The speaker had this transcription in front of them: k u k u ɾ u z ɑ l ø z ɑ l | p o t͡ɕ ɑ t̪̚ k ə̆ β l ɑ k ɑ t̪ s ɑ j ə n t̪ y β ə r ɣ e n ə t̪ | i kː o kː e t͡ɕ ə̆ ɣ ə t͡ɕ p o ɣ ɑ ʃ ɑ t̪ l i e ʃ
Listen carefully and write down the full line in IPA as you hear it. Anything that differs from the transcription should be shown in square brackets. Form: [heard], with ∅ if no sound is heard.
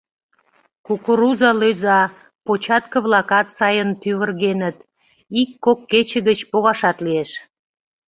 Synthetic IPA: k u k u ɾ u z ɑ l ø z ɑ [∅] | p o t͡ɕ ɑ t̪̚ k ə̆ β l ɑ k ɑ t̪ s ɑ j ə n t̪ y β ə r ɣ e n ə t̪ | i kː o kː e t͡ɕ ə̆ ɣ ə t͡ɕ p o ɣ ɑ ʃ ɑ t̪ l i e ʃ